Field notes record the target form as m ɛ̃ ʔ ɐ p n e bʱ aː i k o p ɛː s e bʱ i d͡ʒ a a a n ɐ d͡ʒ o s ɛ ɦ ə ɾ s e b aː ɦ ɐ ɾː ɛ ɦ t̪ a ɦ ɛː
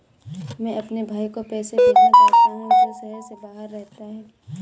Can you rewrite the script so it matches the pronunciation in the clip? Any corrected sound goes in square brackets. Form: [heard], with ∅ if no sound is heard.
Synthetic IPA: m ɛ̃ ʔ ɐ p n e bʱ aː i k o p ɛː s e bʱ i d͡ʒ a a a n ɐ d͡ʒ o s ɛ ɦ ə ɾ s e b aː ɦ [ə] ɾː ɛ ɦ t̪ a ɦ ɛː